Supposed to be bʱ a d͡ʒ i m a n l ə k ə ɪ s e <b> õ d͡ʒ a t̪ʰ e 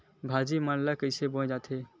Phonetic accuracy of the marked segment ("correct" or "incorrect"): correct